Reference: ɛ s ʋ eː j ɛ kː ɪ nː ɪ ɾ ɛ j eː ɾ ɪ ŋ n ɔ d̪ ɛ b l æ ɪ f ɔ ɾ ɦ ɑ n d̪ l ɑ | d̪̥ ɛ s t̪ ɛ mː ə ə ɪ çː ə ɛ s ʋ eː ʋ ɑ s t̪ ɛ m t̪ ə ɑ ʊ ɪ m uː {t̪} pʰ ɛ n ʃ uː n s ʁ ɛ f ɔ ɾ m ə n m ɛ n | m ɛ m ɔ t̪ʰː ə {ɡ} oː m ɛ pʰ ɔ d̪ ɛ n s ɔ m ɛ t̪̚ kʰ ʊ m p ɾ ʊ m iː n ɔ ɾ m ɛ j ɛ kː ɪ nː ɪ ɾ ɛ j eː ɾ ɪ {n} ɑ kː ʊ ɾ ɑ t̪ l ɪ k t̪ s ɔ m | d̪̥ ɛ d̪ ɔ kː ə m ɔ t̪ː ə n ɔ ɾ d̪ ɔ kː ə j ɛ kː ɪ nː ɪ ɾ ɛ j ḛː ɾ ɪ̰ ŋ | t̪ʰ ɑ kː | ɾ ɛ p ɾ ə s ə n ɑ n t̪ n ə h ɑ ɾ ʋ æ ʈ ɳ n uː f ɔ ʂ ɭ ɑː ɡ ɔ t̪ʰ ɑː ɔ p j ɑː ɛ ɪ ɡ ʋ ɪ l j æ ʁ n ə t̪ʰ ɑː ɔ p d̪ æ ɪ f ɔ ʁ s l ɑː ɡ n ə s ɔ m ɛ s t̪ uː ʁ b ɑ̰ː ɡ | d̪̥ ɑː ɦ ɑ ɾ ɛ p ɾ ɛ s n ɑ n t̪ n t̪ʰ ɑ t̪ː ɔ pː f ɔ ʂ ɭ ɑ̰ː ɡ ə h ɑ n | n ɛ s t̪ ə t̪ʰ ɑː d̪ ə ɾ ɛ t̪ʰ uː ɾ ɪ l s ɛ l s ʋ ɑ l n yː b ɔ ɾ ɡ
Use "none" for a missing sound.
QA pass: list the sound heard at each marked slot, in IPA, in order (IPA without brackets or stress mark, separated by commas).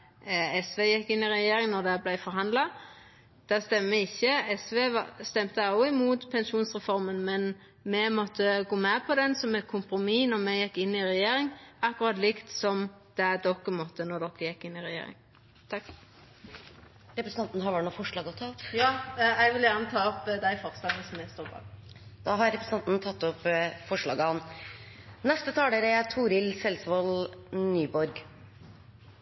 t̪, ɡ, ŋ